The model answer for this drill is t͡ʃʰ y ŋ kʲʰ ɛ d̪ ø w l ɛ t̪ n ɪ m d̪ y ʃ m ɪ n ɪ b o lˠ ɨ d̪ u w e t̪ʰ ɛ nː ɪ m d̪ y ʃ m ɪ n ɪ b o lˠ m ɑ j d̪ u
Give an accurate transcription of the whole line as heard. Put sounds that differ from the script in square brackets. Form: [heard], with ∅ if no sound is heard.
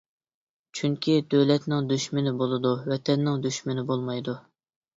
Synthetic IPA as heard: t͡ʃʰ y ŋ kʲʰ [i] d̪ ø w l ɛ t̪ n ɪ [ŋ] d̪ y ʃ m ɪ n ɪ b o lˠ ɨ d̪ u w [ɛ] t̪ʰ ɛ nː ɪ [ŋ] d̪ y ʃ m ɪ n ɪ b o lˠ m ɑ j d̪ u